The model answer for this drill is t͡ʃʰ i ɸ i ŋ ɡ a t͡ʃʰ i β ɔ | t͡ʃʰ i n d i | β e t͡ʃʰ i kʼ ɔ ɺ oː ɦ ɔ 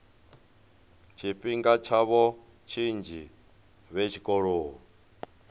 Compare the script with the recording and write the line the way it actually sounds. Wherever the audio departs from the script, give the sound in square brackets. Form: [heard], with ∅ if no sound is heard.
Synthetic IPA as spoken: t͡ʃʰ i ɸ i ŋ ɡ a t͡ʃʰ [a] β ɔ | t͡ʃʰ i n [d͡ʒ] i | β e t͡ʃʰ i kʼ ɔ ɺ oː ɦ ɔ